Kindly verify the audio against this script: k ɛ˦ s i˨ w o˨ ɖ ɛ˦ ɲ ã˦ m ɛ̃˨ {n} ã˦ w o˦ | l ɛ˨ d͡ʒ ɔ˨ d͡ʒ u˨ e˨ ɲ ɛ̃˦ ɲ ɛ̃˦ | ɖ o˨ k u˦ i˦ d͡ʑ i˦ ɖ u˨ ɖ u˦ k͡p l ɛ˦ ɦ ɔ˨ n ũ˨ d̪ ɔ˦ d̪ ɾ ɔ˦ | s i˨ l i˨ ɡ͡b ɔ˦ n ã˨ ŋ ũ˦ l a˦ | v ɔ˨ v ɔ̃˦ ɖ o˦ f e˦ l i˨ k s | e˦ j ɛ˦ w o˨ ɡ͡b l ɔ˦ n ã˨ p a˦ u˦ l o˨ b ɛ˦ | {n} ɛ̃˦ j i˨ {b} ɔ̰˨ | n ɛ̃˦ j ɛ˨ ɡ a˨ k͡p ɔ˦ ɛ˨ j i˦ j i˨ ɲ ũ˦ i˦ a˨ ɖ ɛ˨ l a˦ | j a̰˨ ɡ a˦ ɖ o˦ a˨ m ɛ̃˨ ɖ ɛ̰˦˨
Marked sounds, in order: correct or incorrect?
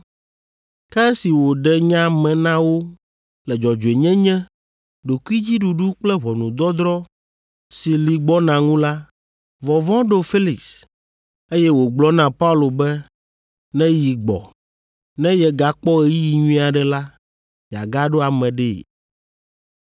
correct, correct, incorrect: ɡ͡b

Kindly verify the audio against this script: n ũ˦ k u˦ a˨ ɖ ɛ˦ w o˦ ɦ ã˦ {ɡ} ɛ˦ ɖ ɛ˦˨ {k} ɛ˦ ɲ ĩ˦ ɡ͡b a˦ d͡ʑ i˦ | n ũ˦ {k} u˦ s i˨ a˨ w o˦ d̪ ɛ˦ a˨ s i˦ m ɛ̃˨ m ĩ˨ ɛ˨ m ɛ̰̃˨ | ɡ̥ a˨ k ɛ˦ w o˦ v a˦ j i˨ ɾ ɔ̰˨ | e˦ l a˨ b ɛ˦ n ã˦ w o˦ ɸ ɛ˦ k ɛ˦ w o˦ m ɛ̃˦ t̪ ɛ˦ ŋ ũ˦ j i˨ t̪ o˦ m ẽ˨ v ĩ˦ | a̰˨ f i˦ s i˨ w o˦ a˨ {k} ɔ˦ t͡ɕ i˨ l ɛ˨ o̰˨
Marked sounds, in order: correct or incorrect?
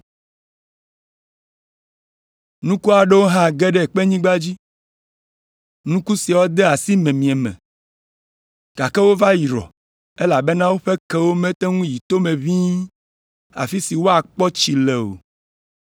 correct, incorrect: k͡p, correct, incorrect: k͡p

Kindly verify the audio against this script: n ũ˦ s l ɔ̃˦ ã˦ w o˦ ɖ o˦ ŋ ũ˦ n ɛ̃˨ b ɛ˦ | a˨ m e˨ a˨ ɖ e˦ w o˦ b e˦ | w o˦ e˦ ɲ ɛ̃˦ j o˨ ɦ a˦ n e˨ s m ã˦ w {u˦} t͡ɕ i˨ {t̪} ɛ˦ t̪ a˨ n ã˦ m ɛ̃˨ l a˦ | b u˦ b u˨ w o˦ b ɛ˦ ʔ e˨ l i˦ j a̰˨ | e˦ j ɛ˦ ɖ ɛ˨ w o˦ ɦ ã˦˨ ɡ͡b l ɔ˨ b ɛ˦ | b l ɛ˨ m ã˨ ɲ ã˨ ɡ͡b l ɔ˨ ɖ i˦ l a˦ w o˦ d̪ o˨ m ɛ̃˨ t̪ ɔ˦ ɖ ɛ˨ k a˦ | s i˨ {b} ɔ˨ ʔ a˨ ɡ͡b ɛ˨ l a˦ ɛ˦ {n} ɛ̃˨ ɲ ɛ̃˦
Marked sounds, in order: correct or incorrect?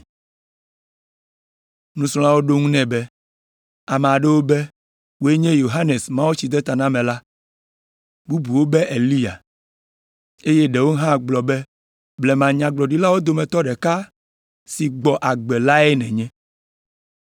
incorrect: o˦, incorrect: d̪, incorrect: ɡ͡b, correct

